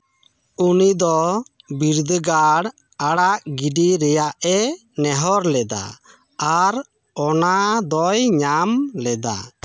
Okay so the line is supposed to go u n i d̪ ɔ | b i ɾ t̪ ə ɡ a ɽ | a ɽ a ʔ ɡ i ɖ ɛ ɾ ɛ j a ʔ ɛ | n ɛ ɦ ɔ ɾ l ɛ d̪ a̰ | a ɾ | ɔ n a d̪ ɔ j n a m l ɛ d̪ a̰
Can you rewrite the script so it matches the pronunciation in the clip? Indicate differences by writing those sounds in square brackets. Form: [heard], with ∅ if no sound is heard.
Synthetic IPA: u n i d̪ ɔ | b i ɾ [d̪] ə ɡ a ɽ | a ɽ a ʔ ɡ i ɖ [i] ɾ ɛ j a ʔ ɛ | n ɛ ɦ ɔ ɾ l ɛ d̪ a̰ | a ɾ | ɔ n a d̪ ɔ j [ɲ] a m l ɛ d̪ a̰